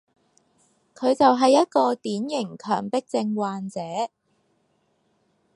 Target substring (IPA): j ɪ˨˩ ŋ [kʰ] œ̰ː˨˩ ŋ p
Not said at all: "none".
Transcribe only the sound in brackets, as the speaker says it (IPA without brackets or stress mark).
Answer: kʰ